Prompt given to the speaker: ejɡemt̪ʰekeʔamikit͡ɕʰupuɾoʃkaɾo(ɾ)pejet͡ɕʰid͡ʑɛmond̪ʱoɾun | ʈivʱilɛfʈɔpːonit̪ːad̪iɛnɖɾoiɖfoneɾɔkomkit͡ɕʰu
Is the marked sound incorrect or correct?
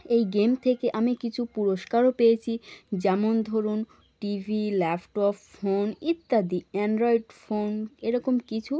incorrect: none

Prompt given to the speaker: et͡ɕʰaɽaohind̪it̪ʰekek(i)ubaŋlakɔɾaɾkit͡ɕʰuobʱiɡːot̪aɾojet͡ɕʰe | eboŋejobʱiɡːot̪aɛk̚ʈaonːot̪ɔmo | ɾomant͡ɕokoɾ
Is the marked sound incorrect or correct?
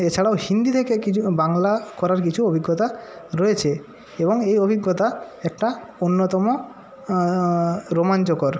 correct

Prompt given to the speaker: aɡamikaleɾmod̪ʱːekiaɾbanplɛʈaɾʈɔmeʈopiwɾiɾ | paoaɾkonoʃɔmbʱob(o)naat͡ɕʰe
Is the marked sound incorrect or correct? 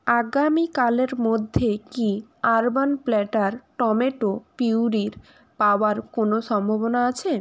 correct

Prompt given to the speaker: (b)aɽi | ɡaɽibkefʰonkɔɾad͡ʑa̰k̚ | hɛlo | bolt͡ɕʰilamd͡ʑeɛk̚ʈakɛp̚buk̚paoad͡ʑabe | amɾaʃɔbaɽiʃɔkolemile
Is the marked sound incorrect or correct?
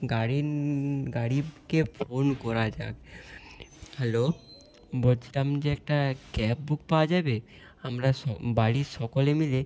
incorrect: ɡ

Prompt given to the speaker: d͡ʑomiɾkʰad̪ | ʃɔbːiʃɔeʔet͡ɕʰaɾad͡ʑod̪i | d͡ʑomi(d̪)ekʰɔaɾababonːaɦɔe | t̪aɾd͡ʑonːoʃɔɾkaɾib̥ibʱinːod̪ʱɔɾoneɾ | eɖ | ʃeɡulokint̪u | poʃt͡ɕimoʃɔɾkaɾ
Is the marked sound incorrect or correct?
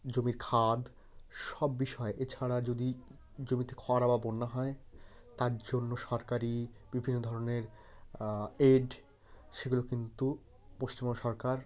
incorrect: t̪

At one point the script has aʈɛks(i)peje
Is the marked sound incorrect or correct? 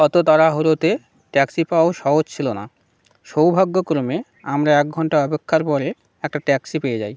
correct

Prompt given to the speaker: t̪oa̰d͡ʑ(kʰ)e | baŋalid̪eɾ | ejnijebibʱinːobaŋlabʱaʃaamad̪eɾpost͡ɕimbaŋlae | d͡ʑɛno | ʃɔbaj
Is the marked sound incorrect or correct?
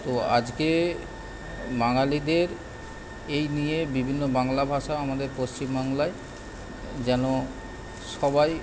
incorrect: k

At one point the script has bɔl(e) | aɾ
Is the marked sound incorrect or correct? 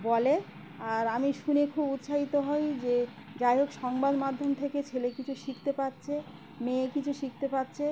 correct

